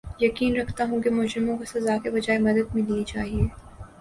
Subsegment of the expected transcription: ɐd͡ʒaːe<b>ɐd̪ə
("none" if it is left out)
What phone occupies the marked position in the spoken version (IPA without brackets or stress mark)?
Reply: m